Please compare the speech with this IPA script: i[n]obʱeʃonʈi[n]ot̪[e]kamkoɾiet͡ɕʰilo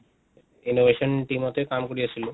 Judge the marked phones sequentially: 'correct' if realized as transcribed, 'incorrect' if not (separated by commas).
correct, incorrect, correct